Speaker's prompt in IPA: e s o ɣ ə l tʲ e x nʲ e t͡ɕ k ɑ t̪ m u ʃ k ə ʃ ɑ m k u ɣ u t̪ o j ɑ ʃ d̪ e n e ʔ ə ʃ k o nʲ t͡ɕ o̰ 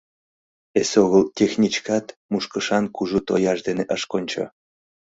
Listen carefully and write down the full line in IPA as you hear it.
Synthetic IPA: e s o ɣ ə l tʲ e x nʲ i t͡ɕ k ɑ t̪ m u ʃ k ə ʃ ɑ n k u ʒ u t̪ o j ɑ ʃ d̪ e n e ʔ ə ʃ k o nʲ t͡ɕ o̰

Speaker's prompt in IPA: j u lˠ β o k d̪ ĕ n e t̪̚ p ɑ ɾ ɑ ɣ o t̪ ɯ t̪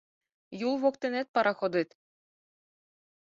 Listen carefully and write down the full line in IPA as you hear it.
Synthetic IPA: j u lˠ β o k t̪ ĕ n e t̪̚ p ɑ ɾ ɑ x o d̪ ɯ t̪

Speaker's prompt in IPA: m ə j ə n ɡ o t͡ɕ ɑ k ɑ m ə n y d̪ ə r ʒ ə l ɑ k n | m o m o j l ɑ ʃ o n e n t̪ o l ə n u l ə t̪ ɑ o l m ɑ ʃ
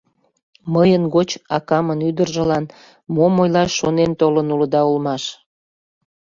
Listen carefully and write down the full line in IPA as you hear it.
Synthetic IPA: m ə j ə n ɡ o t͡ɕ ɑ k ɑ m ə n y d̪ ə r ʒ ə l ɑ n | m o m o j l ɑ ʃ o n e n t̪ o l ə n u l ə d̪ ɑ u l m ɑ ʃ

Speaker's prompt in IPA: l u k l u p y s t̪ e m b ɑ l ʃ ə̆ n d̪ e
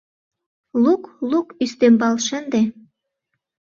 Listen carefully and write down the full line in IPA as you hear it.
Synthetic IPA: l u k l u k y s t̪ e m b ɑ l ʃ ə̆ n d̪ e

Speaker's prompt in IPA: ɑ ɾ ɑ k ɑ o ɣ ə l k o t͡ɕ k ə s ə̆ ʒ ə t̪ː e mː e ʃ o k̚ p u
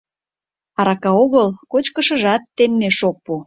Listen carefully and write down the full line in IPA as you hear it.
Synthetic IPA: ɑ ɾ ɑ k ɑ o ɣ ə l k o t͡ɕ k ə ʃ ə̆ ʒ ɑ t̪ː e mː e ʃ o k̚ p u

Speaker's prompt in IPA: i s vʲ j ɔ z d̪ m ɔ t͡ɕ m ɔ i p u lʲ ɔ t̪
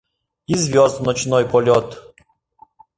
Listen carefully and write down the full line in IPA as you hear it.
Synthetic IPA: i z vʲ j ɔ z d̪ n ɔ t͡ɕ n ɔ j p ɔ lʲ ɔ t̪

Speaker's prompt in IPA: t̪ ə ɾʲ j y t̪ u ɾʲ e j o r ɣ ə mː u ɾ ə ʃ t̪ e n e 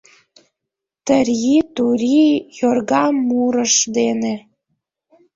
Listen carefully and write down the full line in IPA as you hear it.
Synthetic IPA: t̪ ə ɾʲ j i t̪ u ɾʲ i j o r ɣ ɑ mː u ɾ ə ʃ d̪ e n e

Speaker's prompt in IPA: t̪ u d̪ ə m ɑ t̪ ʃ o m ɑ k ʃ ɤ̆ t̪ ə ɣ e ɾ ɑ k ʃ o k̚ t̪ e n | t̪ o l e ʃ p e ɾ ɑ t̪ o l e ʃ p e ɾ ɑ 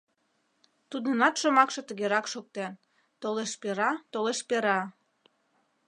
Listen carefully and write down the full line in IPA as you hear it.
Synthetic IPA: t̪ u d̪ ə n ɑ t̪ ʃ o m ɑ k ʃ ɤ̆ t̪ ə ɣ e ɾ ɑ k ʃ o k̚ t̪ e n | t̪ o l e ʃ p e ɾ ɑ t̪ o l e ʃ p e ɾ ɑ

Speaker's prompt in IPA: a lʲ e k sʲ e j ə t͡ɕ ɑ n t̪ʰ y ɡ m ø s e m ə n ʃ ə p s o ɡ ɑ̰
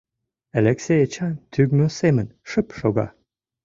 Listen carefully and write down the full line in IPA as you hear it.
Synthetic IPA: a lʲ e k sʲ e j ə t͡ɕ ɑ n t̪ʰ y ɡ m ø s e m ə n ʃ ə p ʃ o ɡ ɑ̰

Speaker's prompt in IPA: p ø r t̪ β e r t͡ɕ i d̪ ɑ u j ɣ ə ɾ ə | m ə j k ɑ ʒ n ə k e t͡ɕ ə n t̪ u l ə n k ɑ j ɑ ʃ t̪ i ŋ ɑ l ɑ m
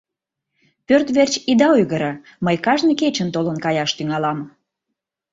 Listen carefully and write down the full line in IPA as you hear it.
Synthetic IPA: p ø r t̪ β e r t͡ɕ i d̪ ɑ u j ɣ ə ɾ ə | m ə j k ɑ ʒ n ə k e t͡ɕ ə n t̪ o l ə n k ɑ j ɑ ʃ t̪ y ŋ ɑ l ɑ m

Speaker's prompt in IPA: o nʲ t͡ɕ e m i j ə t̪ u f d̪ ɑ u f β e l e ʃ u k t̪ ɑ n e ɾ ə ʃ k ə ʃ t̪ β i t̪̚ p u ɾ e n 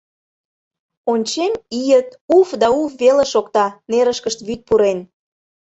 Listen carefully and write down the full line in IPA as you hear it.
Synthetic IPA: o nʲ t͡ɕ e m i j ə t̪ u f d̪ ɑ u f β e l e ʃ o k t̪ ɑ n e ɾ ə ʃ k ə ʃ t̪ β y t̪̚ p u ɾ e n

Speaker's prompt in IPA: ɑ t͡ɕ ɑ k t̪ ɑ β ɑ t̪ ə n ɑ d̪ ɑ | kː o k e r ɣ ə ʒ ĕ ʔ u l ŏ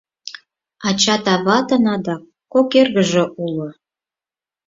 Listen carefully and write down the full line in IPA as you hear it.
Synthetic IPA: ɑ t͡ɕ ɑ t̪ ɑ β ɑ t̪ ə n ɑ d̪ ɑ | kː o k e r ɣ ə ʒ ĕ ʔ u l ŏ

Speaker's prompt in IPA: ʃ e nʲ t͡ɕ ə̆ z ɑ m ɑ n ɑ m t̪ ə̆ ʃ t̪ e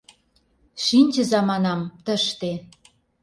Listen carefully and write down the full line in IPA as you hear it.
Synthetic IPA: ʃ i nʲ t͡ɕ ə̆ z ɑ m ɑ n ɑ m t̪ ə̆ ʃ t̪ e

